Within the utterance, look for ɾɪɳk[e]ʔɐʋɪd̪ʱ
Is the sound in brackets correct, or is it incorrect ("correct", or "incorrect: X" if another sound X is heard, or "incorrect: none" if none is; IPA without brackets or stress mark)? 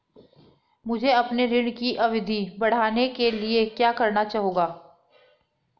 incorrect: i